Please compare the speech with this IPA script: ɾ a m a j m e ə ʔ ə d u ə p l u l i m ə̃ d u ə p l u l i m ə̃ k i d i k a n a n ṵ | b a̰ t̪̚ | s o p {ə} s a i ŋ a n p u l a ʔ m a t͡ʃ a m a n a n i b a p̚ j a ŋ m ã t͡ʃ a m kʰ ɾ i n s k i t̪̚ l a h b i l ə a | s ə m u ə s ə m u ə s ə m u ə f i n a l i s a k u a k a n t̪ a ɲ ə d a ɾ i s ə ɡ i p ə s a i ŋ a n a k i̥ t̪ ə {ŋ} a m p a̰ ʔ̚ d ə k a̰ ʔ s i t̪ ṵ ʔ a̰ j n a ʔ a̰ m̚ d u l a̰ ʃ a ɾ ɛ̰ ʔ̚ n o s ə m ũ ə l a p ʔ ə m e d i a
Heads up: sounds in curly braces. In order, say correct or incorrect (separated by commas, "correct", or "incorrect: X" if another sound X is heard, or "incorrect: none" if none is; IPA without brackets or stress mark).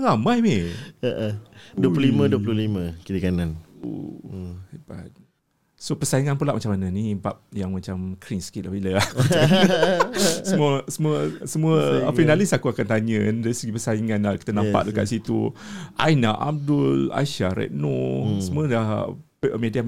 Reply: correct, incorrect: n